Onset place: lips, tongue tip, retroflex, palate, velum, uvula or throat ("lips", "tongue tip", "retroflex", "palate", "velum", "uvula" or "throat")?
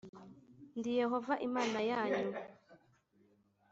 tongue tip